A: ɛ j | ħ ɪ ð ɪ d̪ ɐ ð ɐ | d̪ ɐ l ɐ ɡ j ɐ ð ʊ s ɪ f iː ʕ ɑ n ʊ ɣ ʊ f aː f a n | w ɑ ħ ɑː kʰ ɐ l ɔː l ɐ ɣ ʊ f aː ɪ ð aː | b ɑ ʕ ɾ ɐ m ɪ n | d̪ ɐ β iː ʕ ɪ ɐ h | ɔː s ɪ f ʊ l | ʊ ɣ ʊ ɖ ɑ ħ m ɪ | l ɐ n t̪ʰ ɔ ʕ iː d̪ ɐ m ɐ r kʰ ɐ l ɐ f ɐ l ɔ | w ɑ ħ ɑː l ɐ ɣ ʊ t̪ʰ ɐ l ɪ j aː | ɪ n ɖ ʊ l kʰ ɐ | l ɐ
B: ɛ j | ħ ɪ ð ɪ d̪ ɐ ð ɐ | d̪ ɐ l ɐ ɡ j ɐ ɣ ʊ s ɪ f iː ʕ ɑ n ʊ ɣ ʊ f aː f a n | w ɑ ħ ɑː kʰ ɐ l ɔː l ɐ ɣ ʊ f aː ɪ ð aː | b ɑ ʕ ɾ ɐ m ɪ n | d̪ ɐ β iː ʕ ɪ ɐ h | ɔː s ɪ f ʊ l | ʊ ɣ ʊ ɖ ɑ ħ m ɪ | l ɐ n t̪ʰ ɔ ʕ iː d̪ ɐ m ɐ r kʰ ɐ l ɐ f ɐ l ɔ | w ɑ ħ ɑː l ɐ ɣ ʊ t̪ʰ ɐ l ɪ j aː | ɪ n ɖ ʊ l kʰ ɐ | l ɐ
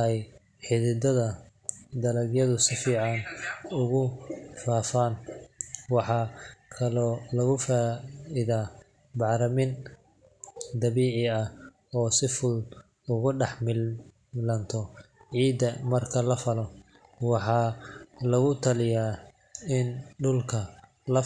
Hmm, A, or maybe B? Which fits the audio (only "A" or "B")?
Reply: A